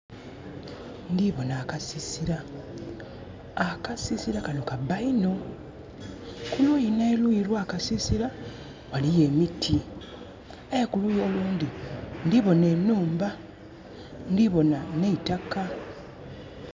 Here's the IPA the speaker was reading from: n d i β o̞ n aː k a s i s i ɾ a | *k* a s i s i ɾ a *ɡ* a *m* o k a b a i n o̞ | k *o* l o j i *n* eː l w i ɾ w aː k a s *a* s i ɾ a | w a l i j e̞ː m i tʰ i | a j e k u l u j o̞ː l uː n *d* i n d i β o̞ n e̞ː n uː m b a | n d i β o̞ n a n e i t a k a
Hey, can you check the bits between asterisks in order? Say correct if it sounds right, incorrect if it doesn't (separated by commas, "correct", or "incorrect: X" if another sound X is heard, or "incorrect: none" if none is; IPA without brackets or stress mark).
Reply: correct, incorrect: k, incorrect: n, incorrect: u, correct, incorrect: i, correct